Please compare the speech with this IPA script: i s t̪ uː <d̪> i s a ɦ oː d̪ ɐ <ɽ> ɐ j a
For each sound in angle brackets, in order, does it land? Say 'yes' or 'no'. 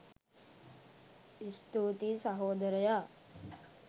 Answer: no, no

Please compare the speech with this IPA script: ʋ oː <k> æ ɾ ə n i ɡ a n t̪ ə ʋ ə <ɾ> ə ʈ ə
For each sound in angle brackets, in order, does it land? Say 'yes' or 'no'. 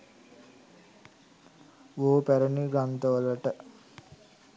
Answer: no, no

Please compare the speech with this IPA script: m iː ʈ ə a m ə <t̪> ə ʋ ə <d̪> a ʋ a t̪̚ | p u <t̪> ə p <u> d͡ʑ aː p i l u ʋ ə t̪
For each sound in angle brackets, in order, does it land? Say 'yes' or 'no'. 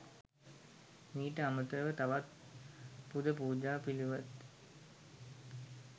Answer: yes, no, no, no

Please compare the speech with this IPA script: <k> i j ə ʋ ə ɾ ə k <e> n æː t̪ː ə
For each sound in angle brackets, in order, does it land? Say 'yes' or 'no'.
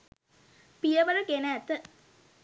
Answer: no, yes

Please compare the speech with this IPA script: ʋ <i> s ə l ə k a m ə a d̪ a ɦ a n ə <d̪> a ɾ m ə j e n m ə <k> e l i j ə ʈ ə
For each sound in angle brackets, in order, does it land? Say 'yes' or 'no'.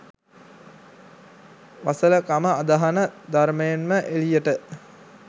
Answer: no, yes, no

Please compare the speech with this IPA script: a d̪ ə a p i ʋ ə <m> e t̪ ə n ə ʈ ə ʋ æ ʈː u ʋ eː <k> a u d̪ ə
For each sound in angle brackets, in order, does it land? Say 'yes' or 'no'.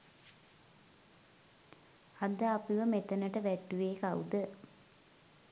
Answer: yes, yes

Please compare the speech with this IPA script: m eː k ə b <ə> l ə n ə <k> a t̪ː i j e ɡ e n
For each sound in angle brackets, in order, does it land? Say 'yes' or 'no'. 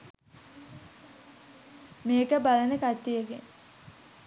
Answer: no, yes

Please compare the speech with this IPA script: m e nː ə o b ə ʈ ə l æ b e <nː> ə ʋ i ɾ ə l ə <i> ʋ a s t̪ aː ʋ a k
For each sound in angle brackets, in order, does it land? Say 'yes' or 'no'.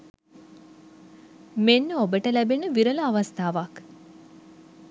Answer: no, no

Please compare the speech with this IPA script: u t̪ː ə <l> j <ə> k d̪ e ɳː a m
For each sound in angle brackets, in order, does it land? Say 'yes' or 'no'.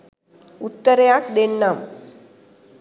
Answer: no, no

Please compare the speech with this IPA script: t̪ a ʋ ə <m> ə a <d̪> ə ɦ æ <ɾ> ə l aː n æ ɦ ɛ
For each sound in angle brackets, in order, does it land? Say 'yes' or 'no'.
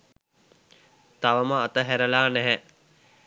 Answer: yes, no, yes

